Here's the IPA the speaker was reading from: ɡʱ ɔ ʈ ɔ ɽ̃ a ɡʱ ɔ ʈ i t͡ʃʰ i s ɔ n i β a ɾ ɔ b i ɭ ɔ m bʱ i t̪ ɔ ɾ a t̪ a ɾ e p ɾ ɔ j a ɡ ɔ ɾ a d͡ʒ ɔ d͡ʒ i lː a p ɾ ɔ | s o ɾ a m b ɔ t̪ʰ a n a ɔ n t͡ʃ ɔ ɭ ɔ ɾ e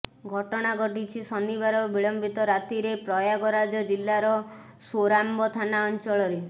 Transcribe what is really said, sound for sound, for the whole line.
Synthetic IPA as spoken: ɡʱ ɔ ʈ ɔ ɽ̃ a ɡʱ ɔ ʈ i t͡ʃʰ i s ɔ n i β a ɾ ɔ b i ɭ ɔ m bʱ i t̪ ɔ ɾ a t̪ i ɾ e p ɾ ɔ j a ɡ ɔ ɾ a d͡ʒ ɔ d͡ʒ i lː a ɾ ɔ | s o ɾ a m b ɔ t̪ʰ a n a ɔ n t͡ʃ ɔ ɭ ɔ ɾ e